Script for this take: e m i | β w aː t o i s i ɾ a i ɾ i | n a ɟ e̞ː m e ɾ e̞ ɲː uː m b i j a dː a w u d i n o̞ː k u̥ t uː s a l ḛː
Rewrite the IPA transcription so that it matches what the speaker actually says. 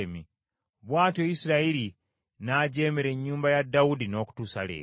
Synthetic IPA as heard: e m i | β w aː t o i s i ɾ a i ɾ i | n a ɟ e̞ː m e ɾ e̞ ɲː uː m b a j a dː a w u d i n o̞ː k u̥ t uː s a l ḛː